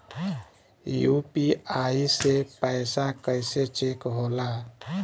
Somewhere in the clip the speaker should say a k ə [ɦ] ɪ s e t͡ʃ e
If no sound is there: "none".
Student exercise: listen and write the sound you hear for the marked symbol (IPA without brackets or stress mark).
none